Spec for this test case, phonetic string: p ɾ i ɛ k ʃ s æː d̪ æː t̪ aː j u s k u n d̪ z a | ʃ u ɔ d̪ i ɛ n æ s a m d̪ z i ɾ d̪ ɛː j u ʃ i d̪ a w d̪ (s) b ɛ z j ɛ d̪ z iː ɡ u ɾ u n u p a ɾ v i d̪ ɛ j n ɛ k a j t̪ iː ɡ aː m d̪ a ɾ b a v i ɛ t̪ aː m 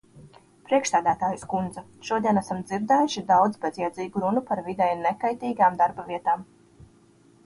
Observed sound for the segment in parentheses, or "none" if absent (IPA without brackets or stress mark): z